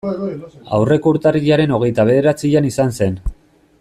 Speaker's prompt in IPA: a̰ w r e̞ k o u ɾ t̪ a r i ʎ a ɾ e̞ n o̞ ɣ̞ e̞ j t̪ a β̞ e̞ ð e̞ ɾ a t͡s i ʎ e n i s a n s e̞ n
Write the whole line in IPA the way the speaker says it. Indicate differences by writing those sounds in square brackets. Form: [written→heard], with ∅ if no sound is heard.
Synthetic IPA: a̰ w r e̞ k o u ɾ t̪ a r i ʎ a ɾ e̞ n o̞ ɣ̞ e̞ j t̪ a β̞ e̞ ð e̞ ɾ a t͡s i ʎ [e→a] n i s a n s e̞ n